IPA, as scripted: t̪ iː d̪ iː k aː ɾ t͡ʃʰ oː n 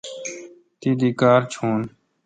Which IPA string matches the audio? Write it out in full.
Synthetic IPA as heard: t̪ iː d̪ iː k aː ɾ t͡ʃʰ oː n